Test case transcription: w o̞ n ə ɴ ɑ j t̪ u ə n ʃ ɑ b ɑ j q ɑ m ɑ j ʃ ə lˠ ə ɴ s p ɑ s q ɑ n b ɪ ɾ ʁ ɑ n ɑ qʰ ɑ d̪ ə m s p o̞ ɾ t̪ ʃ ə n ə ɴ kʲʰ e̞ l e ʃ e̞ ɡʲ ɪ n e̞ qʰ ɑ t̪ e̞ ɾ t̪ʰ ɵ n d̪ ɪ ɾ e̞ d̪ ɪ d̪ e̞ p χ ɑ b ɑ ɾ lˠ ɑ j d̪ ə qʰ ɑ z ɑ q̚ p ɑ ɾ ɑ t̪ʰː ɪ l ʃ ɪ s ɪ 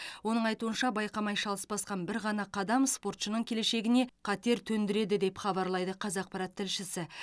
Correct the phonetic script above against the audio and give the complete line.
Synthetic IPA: w o̞ n ə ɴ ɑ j t̪ u ə n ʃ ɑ b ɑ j q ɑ m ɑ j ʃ ɑ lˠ ə s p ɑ s q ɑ n b ɪ ɾ ʁ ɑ n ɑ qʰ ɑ d̪ ɑ m s p o̞ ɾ t̪ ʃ ə n ə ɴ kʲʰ e̞ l e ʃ e̞ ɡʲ ɪ n e̞ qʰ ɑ t̪ e̞ ɾ t̪ʰ ɵ n d̪ ɪ ɾ e̞ d̪ ɪ d̪ e̞ p χ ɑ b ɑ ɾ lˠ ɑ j d̪ ə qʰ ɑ z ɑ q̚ p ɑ ɾ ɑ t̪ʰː ɪ l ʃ ɪ s ɪ